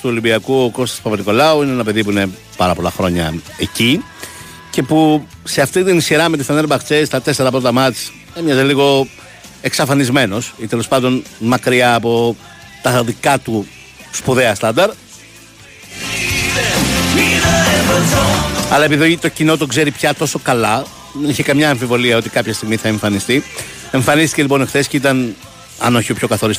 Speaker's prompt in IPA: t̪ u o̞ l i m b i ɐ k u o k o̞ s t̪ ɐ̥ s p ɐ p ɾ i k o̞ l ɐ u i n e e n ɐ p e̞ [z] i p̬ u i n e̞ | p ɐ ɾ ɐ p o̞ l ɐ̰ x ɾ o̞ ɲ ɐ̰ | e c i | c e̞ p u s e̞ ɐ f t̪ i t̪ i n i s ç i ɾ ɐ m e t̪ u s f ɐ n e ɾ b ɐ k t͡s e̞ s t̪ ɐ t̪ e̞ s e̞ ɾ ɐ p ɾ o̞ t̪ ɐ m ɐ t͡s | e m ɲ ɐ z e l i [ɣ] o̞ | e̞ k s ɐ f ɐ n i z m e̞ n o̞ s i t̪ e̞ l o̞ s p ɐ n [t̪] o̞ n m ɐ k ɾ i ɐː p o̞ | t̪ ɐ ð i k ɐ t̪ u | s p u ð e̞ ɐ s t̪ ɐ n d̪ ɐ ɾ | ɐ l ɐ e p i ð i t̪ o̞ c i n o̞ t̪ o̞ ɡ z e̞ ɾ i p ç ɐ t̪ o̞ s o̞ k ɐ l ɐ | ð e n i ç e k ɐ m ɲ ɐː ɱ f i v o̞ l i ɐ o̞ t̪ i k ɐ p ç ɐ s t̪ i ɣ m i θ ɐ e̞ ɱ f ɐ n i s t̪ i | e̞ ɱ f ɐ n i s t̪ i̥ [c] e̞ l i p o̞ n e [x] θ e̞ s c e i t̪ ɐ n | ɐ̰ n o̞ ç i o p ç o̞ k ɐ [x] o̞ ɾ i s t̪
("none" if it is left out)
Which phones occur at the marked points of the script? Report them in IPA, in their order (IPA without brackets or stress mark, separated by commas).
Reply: ð, ɣ, d̪, c, x, θ